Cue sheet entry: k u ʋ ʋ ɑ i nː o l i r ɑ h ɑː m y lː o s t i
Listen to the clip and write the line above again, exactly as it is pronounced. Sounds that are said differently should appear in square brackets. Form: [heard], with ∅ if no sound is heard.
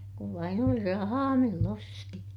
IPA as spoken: k u ʋ ʋ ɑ i [n] o l i r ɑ h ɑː m [i] lː o s t i